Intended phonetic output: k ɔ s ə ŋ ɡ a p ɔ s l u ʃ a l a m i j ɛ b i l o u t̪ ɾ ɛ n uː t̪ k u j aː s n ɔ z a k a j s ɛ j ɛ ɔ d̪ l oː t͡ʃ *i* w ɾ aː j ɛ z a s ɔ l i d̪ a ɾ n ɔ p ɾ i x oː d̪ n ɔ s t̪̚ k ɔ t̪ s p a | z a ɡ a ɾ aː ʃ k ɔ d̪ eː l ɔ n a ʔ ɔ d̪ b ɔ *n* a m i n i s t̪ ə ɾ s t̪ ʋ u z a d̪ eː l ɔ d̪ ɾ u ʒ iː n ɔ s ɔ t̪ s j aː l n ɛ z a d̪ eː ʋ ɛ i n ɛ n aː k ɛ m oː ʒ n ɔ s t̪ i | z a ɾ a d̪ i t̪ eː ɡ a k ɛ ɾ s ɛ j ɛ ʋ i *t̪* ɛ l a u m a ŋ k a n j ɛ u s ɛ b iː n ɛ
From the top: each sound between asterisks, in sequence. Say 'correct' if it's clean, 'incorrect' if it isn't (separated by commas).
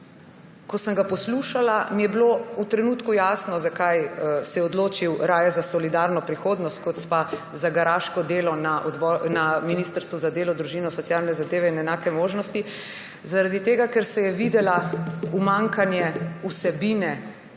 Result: correct, correct, incorrect